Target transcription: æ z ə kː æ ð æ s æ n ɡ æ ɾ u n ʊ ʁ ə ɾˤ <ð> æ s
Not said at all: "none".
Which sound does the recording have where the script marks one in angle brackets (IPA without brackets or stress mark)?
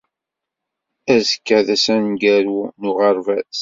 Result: v